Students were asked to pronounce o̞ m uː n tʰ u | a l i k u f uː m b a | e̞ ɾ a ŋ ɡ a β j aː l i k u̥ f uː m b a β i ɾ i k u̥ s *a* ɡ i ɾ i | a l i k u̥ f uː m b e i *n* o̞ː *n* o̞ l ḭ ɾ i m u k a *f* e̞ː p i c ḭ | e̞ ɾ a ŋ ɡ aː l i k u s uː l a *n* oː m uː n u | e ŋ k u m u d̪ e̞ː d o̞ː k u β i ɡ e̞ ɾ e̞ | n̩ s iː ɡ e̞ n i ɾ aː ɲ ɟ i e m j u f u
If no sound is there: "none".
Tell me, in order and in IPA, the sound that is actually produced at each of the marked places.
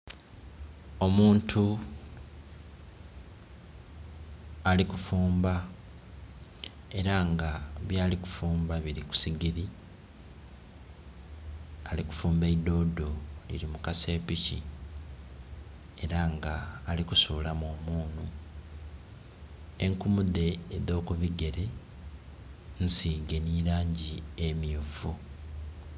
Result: i, d, d, s, m

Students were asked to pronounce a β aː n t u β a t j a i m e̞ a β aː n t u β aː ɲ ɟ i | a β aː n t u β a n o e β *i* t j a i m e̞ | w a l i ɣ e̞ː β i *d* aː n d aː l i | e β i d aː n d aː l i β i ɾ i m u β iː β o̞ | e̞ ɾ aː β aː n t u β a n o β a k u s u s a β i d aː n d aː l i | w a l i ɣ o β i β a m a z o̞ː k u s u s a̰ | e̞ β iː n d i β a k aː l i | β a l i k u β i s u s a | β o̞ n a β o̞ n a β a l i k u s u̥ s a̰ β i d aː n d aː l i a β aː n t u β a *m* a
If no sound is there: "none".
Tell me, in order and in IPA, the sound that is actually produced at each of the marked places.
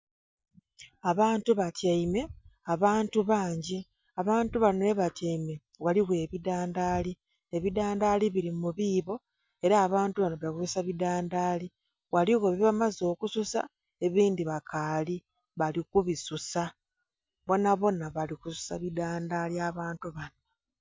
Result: a, d, n

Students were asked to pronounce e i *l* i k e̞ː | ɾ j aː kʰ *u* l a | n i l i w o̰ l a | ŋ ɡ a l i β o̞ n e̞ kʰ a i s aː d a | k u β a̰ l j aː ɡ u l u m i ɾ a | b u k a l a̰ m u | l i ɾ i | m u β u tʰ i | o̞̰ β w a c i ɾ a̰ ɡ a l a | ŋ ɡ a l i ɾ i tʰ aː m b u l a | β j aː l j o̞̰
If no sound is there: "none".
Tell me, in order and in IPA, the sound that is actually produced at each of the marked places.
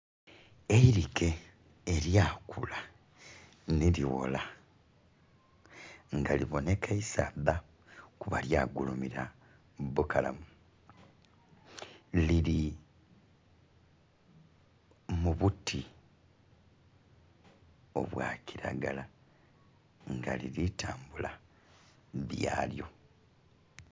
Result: ɾ, u

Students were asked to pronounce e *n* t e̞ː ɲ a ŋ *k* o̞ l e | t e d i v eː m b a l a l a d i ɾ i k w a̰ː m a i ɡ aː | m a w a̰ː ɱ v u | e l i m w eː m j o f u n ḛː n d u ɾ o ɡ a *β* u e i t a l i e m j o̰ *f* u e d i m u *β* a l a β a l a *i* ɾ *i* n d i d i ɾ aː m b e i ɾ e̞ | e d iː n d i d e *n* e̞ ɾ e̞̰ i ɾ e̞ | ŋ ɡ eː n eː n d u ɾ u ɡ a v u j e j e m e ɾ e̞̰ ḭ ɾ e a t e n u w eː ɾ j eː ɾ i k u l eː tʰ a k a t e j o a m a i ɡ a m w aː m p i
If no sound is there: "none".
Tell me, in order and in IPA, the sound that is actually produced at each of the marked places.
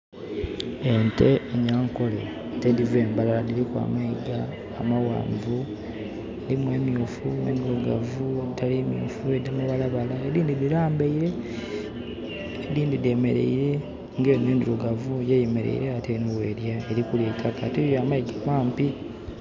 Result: n, k, v, f, β, e, iː, m

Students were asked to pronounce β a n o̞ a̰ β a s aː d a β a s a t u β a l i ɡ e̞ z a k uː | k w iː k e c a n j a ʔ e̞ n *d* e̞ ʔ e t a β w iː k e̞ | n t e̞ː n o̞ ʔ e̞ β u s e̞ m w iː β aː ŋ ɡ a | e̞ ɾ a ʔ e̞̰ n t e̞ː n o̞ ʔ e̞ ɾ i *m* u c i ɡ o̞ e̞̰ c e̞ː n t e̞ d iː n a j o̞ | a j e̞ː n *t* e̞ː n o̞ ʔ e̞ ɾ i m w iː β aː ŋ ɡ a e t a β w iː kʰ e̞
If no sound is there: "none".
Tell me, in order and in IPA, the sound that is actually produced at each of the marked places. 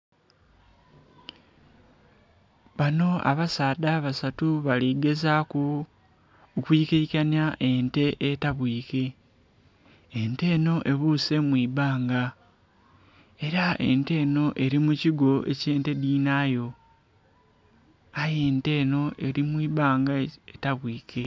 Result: t, m, t

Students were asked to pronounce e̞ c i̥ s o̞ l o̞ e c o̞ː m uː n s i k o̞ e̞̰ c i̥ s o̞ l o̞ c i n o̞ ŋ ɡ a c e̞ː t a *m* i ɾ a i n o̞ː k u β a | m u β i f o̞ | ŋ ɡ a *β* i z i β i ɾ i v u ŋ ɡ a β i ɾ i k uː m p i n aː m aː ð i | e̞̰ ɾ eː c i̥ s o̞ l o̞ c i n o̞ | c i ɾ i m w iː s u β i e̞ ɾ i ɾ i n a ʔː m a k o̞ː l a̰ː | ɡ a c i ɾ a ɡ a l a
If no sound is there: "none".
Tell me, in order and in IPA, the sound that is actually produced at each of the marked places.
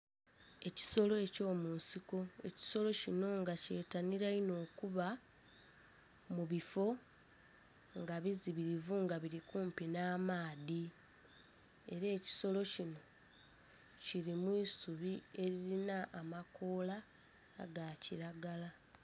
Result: n, β

